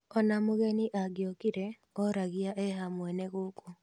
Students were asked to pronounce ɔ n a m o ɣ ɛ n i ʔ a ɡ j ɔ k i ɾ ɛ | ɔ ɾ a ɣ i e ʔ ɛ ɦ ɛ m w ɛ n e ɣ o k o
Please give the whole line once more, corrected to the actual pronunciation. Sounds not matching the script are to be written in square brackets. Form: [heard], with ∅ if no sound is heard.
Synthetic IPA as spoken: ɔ n a m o ɣ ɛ n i ʔ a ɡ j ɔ k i ɾ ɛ | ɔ ɾ a ɣ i [a] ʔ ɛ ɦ [a] m w ɛ n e ɣ o k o